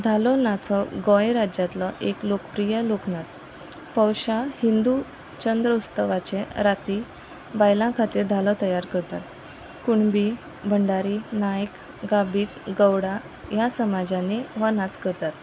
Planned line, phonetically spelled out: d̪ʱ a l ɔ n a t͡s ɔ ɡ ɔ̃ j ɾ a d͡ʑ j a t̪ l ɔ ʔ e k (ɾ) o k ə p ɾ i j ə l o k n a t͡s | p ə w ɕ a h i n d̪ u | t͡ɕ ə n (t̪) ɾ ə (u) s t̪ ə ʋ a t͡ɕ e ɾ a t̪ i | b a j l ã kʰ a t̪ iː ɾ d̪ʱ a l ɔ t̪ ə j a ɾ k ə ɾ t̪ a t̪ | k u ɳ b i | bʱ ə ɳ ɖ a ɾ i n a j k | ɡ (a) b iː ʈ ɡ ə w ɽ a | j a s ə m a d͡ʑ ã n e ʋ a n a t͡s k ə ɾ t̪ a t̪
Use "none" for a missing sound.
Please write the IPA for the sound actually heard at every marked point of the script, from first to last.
l, d̪, u, a

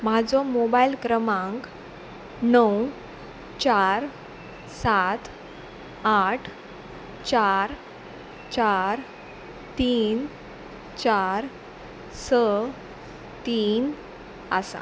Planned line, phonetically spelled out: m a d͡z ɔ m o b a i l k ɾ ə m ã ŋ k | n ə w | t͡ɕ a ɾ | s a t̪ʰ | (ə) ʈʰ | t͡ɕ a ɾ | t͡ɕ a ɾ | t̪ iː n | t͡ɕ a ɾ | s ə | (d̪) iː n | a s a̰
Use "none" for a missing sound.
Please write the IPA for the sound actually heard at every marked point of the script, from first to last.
a, t̪

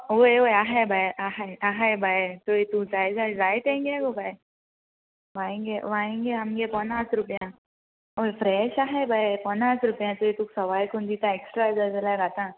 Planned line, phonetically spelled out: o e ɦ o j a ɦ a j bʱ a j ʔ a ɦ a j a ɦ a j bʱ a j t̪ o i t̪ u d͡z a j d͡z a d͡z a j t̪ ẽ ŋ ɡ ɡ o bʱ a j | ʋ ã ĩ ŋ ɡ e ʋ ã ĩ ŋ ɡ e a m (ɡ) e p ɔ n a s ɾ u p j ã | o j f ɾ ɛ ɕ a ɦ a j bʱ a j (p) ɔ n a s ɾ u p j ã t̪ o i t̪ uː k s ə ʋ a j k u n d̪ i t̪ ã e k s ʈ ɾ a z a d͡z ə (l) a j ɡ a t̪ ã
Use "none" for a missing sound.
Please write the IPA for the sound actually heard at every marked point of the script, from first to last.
ɡ, p, l

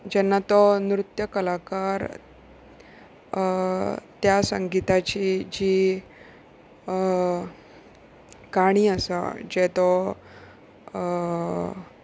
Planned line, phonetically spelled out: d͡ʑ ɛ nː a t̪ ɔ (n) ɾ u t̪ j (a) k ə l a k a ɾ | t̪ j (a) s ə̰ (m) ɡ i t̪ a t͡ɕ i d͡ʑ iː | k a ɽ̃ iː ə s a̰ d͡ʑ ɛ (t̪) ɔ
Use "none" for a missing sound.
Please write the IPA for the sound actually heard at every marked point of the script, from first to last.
n, ə, a, ŋ, t̪

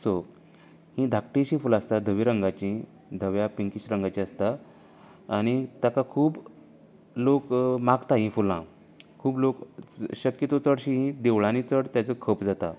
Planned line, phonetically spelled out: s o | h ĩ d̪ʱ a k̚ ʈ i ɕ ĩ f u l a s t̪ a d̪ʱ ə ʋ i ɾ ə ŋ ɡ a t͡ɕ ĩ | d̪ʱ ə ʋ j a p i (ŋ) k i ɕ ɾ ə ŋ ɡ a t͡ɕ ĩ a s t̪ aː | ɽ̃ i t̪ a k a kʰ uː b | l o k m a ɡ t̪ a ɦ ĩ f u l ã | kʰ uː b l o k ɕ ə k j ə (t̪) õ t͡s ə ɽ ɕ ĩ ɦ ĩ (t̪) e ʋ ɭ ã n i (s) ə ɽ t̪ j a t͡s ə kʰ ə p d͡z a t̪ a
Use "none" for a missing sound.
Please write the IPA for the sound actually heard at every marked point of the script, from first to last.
ŋ, t̪, d̪, t͡s

